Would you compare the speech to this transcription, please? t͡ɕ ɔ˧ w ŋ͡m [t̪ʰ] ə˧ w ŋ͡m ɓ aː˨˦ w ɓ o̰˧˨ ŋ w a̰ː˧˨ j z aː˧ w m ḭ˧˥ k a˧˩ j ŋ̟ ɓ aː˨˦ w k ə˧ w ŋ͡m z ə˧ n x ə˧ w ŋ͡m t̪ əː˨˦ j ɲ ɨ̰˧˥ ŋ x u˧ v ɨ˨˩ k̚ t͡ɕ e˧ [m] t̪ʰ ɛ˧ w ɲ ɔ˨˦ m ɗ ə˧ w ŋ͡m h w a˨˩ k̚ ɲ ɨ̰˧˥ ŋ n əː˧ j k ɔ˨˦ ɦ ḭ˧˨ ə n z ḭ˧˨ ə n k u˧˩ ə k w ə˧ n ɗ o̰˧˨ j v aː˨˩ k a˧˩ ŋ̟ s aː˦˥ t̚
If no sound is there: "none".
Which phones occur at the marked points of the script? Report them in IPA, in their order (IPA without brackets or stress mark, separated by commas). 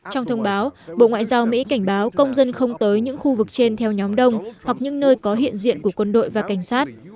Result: t̪ʰ, n